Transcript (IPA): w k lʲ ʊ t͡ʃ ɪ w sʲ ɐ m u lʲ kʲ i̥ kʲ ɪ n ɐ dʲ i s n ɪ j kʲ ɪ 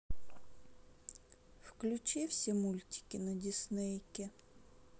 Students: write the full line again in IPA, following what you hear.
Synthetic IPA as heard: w k lʲ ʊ t͡ʃ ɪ w sʲ ɐ m u lʲ tʲ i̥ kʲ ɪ n ɐ dʲ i s n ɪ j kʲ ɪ

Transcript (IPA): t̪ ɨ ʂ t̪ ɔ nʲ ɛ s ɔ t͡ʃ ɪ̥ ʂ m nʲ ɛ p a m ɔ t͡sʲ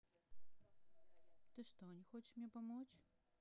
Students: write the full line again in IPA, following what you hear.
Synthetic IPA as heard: t̪ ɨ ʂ t̪ ɔ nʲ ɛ x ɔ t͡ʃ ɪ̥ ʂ m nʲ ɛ p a m ɔ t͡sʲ

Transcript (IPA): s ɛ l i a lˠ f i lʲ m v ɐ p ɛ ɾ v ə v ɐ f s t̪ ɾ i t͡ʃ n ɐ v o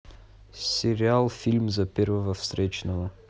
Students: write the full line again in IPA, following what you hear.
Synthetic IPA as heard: s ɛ ɾ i a lˠ f i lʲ m z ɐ p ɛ ɾ v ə v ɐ f s t̪ ɾ ɛ t͡ʃ n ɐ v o

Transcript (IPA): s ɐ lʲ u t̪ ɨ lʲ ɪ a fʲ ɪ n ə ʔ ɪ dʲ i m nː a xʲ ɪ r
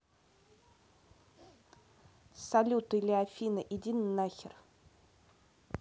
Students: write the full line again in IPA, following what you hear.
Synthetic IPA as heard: s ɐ lʲ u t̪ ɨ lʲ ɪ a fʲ i n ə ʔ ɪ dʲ i n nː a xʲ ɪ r

